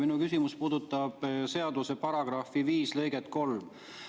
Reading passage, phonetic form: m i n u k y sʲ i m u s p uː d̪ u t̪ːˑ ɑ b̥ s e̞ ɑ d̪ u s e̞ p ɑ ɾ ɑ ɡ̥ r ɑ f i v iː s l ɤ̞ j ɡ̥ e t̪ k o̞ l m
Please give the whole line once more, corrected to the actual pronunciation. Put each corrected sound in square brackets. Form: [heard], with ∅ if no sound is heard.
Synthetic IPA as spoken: m i n u k y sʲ i m u s p uː d̪ u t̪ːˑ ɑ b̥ s e̞ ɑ d̪ u s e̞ p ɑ ɾ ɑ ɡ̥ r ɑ f i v iː s l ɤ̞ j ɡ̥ e t̪ k o̞ l m